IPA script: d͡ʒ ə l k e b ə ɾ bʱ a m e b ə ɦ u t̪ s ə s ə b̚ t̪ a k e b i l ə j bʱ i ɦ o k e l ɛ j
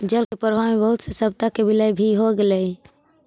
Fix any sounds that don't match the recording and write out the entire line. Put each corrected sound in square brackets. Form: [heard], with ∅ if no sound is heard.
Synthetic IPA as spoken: d͡ʒ ə l k e [p] ə ɾ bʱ a m e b ə ɦ u t̪ s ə s ə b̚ t̪ a k e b i l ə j bʱ i ɦ o [ɡ] e l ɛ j